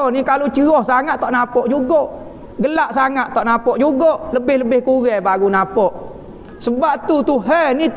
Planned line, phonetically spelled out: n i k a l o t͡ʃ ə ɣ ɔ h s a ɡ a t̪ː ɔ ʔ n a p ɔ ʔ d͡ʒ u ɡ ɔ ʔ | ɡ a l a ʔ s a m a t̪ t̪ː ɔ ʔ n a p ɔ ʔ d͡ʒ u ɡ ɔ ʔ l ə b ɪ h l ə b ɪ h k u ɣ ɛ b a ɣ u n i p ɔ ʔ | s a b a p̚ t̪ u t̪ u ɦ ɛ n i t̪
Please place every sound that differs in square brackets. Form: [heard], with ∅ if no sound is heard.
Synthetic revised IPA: n i k a l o t͡ʃ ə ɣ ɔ h s a [ŋ] a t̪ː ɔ ʔ n a p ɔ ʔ d͡ʒ u ɡ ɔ ʔ | ɡ [ə] l a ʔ s a [ŋ] a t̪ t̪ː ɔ ʔ n a p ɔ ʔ d͡ʒ u ɡ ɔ ʔ l ə b ɪ h l ə b ɪ h k u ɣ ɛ b a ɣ u n [a] p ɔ ʔ | s [ə] b a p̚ t̪ u t̪ u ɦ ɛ n i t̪